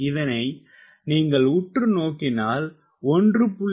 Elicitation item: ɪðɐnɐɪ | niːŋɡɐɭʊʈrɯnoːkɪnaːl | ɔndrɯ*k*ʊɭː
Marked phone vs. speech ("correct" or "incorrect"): incorrect